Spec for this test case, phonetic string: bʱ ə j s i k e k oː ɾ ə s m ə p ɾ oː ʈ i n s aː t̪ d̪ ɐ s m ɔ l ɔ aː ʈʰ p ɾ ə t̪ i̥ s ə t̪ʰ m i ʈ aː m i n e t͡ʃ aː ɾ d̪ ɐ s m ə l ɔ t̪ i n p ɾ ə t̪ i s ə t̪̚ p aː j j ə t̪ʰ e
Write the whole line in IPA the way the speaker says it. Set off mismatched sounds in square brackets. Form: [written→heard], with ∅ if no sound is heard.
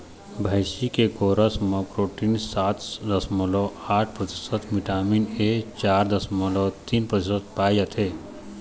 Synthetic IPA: bʱ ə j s i k e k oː ɾ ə s m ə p ɾ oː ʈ i n s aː t̪ d̪ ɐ s m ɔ l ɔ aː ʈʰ p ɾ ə t̪ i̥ s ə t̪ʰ m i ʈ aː m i n e t͡ʃ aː ɾ d̪ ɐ s m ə l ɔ t̪ i n p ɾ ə t̪ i s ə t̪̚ p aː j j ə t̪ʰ e